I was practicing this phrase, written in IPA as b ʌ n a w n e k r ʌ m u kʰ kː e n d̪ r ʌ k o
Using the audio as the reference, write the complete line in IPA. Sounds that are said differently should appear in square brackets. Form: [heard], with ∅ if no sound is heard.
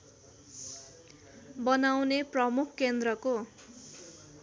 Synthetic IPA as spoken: b ʌ n a w n e [p] r ʌ m u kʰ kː e n d̪ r ʌ k o

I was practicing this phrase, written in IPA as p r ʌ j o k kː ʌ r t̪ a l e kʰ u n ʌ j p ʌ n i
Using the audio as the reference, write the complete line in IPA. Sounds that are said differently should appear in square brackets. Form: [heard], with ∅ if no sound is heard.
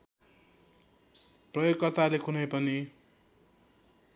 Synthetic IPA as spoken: p r ʌ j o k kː ʌ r t̪ a l e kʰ u n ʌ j p ʌ n i

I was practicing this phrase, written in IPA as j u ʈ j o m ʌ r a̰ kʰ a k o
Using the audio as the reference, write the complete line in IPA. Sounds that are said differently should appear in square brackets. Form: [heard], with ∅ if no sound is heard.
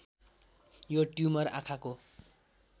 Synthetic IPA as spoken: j [o] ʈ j [u] m ʌ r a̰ kʰ a k o

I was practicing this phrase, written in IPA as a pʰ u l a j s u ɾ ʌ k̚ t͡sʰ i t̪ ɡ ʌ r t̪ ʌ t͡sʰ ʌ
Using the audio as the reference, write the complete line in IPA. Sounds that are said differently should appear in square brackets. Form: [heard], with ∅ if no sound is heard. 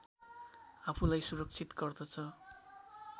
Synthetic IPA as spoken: a pʰ u l a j s u ɾ ʌ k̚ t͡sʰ i t̪ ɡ ʌ r [d̪] ʌ t͡sʰ ʌ

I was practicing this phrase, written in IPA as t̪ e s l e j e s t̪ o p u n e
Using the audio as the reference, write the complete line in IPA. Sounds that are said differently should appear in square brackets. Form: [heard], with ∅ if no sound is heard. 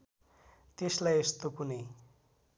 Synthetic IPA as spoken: t̪ e s l [a] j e s t̪ o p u n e

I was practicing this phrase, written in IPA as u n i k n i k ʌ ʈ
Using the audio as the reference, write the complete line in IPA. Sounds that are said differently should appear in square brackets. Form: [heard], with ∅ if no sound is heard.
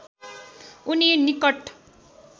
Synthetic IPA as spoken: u n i [∅] n i k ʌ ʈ

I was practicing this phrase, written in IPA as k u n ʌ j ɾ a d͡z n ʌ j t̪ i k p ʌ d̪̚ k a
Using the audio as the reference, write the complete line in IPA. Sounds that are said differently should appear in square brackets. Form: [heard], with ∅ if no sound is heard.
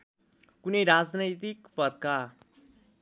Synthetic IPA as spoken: k u n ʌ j ɾ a d͡z n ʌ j t̪ i k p ʌ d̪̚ k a

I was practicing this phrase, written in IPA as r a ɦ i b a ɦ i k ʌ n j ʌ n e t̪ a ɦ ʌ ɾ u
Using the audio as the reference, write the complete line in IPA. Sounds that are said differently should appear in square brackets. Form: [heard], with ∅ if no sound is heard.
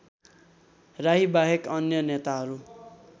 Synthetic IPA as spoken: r a ɦ i b a ɦ [e] k ʌ n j ʌ n e t̪ a ɦ ʌ ɾ u

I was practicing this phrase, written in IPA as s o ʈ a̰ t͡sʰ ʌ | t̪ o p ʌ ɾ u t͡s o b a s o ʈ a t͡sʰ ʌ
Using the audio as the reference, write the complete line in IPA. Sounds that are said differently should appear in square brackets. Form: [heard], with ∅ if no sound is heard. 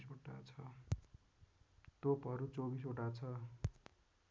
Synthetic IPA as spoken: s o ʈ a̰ t͡sʰ ʌ | t̪ o p ʌ ɾ u t͡s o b [i] s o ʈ a t͡sʰ ʌ

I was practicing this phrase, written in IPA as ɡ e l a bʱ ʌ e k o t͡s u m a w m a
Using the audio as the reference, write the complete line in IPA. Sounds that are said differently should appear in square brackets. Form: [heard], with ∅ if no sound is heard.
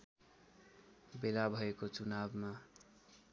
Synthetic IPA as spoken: [b] e l a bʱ ʌ e k o t͡s u [n] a [b] m a

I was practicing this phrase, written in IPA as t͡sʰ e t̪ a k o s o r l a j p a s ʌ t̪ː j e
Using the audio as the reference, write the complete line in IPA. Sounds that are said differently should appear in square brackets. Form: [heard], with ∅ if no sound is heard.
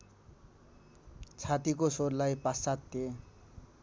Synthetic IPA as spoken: t͡sʰ [a] t̪ [i] k o s o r l a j p a s [a] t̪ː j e

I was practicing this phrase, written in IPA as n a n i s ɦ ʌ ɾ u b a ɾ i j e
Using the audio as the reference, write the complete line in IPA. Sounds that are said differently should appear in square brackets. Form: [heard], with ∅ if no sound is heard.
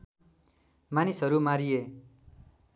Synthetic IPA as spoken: [m] a n i s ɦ ʌ ɾ u [m] a ɾ i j e

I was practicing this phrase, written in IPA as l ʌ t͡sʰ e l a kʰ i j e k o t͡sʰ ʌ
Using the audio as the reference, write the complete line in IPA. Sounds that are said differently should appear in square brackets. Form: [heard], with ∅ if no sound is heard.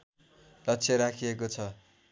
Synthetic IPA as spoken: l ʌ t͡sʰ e [ɾ] a kʰ i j e k o t͡sʰ ʌ

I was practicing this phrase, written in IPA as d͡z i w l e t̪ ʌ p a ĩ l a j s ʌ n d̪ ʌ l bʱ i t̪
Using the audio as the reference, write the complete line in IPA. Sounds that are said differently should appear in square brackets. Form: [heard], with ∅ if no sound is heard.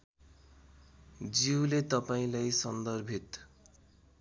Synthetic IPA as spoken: d͡z i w l e t̪ ʌ p a ĩ l a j s ʌ n d̪ ʌ [r] bʱ i t̪

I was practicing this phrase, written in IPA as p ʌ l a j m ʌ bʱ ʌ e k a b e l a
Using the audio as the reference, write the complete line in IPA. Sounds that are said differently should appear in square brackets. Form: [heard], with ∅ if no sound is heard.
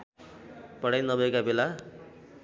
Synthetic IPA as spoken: p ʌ [ɽ] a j [n] ʌ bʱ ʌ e k a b e l a

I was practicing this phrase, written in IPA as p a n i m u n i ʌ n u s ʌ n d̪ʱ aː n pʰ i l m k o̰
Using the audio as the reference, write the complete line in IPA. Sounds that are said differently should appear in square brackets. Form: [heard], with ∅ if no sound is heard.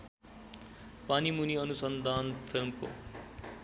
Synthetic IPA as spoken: p a n i m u n i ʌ n u s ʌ n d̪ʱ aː n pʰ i l m k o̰

